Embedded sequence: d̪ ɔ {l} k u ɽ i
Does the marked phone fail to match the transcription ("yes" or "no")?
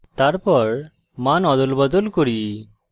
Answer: no